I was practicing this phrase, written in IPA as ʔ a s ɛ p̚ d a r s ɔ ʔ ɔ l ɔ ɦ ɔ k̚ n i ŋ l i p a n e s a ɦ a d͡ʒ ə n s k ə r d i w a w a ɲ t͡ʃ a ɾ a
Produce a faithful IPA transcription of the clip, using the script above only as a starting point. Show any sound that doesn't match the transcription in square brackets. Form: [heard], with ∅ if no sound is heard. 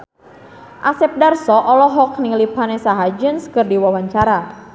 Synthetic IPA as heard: ʔ a s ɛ p̚ d a r s ɔ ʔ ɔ l ɔ ɦ ɔ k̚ n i ŋ l i p a n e s a ɦ a d͡ʒ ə n s k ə r d i w a w a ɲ t͡ʃ a ɾ a